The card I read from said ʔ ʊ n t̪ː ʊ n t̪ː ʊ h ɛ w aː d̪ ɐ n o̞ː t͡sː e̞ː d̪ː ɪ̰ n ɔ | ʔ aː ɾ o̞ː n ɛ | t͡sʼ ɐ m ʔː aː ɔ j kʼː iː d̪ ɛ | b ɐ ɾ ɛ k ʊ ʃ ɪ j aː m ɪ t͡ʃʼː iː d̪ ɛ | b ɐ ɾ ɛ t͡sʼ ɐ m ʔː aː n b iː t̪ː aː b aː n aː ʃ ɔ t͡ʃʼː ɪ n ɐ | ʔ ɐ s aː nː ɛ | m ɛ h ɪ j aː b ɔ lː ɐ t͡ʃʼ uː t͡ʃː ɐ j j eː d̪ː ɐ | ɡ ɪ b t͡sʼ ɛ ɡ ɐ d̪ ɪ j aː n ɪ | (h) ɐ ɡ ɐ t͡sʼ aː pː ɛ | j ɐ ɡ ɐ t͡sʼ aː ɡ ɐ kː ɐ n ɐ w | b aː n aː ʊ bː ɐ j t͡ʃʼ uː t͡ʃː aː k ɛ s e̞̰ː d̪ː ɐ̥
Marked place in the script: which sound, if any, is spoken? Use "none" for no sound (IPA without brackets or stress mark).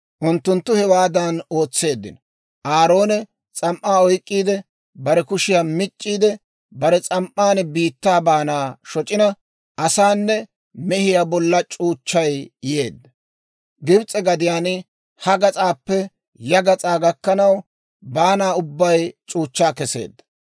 h